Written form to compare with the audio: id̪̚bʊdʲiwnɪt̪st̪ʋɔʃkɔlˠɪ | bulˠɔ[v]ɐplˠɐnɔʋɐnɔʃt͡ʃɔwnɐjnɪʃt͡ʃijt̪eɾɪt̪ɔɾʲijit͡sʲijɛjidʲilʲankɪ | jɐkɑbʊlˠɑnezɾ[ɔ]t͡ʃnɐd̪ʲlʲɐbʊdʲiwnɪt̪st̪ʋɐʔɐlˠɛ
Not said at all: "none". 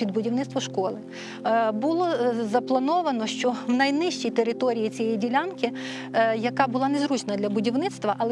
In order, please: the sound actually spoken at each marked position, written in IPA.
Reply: z, u

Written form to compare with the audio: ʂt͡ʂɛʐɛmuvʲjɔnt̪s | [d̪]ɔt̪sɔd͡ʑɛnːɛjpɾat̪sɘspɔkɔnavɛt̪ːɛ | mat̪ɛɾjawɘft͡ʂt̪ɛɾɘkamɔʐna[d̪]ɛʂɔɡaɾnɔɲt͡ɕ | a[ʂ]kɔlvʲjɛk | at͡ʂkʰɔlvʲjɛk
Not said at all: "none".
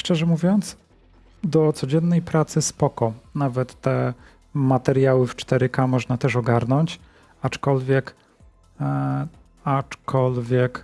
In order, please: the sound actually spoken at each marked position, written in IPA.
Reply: d̪, t̪, t͡ʂ

